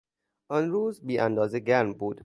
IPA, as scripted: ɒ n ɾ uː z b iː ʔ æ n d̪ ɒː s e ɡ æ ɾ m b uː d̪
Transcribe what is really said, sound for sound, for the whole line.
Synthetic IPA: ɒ n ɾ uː z b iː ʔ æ n d̪ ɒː z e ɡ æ ɾ m b uː d̪